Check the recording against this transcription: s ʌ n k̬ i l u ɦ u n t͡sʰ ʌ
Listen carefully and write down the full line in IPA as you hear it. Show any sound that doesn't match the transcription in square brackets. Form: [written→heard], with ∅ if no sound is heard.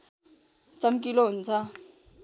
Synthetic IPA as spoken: [s→t͡s] ʌ [n→m] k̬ i l [u→o] ɦ u n t͡sʰ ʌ